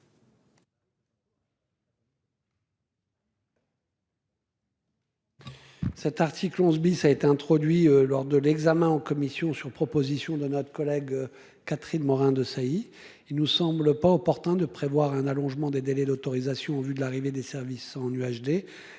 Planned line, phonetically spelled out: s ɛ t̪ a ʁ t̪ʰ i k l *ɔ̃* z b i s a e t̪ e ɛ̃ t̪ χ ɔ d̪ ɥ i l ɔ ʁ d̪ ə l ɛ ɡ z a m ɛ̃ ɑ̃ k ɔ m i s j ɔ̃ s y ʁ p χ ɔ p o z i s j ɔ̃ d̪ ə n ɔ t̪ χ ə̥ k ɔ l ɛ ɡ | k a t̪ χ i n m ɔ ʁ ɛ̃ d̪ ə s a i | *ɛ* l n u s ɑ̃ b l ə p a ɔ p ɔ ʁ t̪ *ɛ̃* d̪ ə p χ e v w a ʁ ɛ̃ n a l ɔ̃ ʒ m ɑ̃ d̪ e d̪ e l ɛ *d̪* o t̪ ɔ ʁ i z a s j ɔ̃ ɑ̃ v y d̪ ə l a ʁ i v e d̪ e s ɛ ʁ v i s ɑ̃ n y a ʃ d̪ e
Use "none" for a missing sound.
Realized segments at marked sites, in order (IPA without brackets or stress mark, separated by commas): ɔ̃, i, ɛ̃, d̪